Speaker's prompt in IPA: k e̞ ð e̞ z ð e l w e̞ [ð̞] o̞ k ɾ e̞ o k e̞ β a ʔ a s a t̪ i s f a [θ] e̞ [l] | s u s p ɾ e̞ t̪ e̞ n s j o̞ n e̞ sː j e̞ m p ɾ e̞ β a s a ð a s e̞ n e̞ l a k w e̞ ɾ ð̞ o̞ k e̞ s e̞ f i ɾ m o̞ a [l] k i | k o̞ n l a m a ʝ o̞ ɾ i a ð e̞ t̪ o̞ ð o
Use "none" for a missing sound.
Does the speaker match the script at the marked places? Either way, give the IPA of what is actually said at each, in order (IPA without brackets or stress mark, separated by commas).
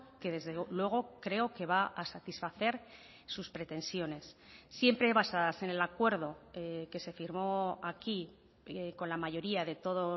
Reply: ɣ̞, θ, ɾ, none